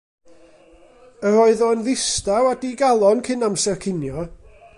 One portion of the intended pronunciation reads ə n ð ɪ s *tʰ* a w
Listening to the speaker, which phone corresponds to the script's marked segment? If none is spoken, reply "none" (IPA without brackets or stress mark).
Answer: t